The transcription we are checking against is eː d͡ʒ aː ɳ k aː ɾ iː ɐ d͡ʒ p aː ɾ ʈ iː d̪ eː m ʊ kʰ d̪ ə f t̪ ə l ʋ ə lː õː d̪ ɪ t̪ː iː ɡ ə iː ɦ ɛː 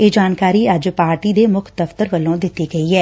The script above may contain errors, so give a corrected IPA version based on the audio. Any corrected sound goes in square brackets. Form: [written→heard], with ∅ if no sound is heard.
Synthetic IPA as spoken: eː d͡ʒ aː [ɳ→n] k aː ɾ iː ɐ d͡ʒ p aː ɾ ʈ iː d̪ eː m ʊ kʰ d̪ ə f t̪ ə [l→ɾ] ʋ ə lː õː d̪ ɪ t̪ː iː ɡ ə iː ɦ ɛː

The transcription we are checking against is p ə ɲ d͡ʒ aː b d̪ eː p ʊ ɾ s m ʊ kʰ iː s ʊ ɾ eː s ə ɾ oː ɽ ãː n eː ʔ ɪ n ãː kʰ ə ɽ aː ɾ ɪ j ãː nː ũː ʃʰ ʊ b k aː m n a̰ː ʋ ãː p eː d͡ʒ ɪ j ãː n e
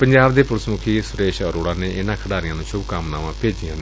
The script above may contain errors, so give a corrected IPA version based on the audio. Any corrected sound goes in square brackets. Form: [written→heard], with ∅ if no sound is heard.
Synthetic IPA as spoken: p ə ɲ d͡ʒ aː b d̪ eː p ʊ ɾ s m ʊ kʰ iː s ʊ ɾ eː [s→ʃ] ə ɾ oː ɽ [ãː→aː] n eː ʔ ɪ n ãː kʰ ə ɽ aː ɾ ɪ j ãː [nː→n] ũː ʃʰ ʊ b k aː m n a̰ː ʋ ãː p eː d͡ʒ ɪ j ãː n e

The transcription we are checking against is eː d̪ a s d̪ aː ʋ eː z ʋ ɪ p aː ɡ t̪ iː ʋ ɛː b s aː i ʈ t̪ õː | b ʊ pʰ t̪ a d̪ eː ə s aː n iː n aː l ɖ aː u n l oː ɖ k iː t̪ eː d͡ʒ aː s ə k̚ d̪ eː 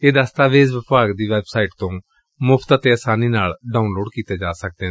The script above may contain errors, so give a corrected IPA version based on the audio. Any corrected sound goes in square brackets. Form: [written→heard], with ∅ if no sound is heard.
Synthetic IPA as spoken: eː d̪ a s [d̪→t̪] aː ʋ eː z ʋ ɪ p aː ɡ [t̪→d̪] iː ʋ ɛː b s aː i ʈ t̪ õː | [b→m] ʊ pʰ t̪ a [d̪→t̪] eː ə s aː n iː n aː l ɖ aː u n l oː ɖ k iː t̪ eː d͡ʒ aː s ə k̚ d̪ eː

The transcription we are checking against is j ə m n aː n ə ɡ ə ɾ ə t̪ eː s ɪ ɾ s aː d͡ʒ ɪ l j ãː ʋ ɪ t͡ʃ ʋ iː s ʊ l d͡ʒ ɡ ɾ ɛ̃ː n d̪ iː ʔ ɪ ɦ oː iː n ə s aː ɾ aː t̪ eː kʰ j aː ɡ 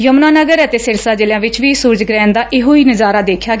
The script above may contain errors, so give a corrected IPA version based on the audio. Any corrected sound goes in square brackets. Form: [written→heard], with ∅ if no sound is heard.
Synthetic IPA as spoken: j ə m n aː n ə ɡ ə ɾ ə t̪ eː s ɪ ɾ s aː d͡ʒ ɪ l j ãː ʋ ɪ t͡ʃ ʋ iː s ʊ [l→ɾ] d͡ʒ ɡ ɾ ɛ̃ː n d̪ [iː→aː] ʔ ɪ ɦ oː iː n ə [s→z] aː ɾ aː [t̪→d̪] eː kʰ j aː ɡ

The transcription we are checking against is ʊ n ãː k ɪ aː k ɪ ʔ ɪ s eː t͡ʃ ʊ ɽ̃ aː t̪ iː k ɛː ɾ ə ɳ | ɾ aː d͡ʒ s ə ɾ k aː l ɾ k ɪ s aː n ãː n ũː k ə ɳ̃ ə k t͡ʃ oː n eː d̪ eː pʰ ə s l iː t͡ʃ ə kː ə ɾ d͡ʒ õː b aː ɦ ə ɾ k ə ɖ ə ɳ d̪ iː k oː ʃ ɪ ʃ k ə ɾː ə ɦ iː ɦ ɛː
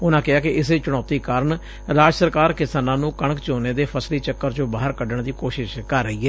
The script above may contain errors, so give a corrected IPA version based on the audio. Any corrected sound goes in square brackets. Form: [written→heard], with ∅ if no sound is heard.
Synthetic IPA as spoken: ʊ n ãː k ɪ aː k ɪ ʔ ɪ s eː t͡ʃ ʊ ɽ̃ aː t̪ iː k [ɛː→aː] ɾ ə ɳ | ɾ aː d͡ʒ s ə ɾ k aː [l→∅] ɾ k ɪ s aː n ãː n ũː k ə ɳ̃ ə k t͡ʃ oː n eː d̪ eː pʰ ə s l iː t͡ʃ ə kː ə ɾ d͡ʒ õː b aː ɦ ə ɾ k ə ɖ ə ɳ d̪ iː k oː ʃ ɪ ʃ k ə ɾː ə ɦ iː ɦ ɛː

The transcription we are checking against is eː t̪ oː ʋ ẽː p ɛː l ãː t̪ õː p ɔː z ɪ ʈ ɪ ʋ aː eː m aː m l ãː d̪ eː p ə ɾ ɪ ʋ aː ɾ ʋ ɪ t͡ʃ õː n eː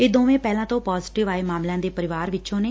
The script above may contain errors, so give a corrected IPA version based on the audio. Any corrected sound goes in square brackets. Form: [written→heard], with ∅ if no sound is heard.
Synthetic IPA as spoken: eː [t̪→d̪] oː ʋ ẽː p ɛː l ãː t̪ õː p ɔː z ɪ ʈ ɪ ʋ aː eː m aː m l ãː d̪ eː p ə ɾ ɪ ʋ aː ɾ ʋ ɪ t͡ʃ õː n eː

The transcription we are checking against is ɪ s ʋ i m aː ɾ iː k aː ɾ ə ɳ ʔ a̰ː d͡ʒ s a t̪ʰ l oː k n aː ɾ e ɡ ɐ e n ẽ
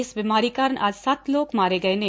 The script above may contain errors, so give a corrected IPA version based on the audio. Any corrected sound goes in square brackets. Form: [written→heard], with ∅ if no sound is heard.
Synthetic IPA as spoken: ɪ s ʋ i m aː ɾ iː k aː ɾ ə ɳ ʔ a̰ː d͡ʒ s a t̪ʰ l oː k [n→m] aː ɾ e ɡ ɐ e n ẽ

